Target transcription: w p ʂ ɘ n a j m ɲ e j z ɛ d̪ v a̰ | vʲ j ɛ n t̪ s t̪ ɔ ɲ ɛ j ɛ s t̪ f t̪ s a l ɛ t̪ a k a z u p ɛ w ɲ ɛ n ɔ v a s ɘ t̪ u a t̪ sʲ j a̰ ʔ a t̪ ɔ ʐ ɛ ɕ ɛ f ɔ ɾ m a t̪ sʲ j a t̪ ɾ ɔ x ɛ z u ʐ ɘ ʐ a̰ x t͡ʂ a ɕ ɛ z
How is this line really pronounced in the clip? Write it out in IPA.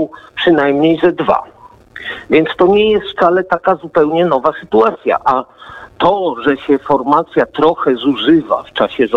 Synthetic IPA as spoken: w p ʂ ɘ n a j m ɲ e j z ɛ d̪ v a̰ | vʲ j ɛ n t̪ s t̪ ɔ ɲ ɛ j ɛ s t̪ f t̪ s a l ɛ t̪ a k a z u p ɛ w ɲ ɛ n ɔ v a s ɘ t̪ u a t̪ sʲ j a̰ ʔ a t̪ ɔ ʐ ɛ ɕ ɛ f ɔ ɾ m a t̪ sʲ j a t̪ ɾ ɔ x ɛ z u ʐ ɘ v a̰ f t͡ʂ a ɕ ɛ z